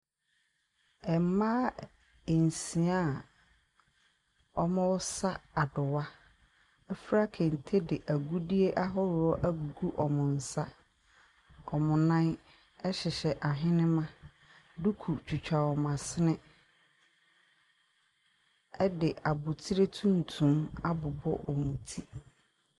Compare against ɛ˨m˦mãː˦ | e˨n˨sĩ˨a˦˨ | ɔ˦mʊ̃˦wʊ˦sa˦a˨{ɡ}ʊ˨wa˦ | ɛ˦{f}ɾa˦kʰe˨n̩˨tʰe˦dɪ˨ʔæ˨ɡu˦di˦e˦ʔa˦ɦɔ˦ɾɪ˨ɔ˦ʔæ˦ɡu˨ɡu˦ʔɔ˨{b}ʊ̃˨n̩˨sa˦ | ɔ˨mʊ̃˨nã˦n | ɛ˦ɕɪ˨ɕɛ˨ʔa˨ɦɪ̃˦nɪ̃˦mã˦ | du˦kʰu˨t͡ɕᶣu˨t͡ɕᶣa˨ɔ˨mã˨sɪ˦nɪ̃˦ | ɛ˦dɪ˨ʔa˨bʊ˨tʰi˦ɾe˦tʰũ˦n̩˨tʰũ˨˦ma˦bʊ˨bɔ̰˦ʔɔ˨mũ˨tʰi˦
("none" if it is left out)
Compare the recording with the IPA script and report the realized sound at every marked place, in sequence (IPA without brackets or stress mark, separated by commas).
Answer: d, f, m